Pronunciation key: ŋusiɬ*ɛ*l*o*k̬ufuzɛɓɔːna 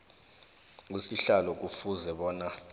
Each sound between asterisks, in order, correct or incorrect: incorrect, incorrect

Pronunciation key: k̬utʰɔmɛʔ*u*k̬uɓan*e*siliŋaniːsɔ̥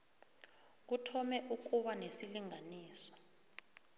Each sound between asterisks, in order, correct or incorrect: correct, correct

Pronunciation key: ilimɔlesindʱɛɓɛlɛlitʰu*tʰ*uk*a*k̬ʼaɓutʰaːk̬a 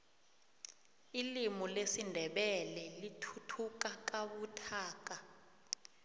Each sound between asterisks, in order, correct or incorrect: correct, correct

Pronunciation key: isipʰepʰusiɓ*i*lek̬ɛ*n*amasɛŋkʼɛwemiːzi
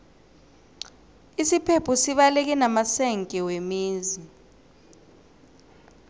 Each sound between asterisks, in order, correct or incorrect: incorrect, correct

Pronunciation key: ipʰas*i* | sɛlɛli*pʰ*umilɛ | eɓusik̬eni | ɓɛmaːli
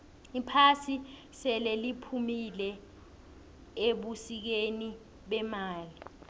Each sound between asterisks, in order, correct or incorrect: correct, correct

